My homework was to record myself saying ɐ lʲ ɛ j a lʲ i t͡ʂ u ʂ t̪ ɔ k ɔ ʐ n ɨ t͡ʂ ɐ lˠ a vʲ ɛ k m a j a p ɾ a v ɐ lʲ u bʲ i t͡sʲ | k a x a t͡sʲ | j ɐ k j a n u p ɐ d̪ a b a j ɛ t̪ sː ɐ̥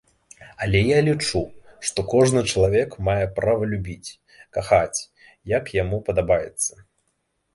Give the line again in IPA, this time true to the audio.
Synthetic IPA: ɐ lʲ ɛ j a lʲ i t͡ʂ u ʂ t̪ ɔ k ɔ ʐ n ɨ t͡ʂ ɐ lˠ a vʲ ɛ k m a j ɛ p ɾ a v ɐ lʲ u bʲ i t͡sʲ | k a x a t͡sʲ | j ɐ k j a m u p ɐ d̪ a b a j ɛ t̪ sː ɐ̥